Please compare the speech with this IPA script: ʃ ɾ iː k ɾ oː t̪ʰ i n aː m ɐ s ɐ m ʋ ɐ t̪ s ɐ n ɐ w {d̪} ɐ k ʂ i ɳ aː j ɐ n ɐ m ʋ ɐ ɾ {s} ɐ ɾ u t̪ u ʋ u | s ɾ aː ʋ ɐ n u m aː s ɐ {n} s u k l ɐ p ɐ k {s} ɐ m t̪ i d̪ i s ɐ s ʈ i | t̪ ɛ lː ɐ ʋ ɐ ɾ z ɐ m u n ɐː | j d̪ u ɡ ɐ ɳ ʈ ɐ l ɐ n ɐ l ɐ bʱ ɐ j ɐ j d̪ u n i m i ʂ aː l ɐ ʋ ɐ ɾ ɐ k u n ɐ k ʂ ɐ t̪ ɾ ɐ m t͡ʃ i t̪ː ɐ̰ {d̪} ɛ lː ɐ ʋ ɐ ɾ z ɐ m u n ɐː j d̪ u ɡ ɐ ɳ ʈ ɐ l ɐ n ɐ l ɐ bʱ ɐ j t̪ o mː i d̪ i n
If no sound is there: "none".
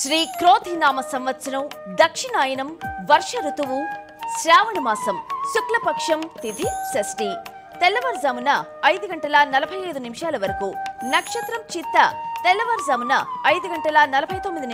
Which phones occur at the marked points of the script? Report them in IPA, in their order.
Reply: d̪, ʂ, m, ʂ, t̪

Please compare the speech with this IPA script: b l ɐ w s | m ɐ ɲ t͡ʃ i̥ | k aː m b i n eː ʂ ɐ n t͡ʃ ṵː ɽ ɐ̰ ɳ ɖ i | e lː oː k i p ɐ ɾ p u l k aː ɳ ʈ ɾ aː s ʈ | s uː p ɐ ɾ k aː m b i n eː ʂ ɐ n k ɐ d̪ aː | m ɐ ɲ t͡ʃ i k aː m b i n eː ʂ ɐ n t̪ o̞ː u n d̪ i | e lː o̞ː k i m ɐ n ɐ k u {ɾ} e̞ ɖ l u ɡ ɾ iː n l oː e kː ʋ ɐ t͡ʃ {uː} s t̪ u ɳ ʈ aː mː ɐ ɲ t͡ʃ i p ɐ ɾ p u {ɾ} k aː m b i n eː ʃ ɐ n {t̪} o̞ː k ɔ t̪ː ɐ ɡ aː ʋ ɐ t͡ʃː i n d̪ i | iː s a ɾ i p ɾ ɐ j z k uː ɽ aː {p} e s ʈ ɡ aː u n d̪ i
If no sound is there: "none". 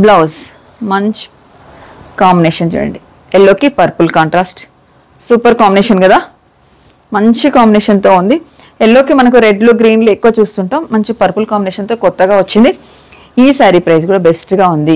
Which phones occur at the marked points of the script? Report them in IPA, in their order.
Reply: ɾ, uː, l, t̪, b

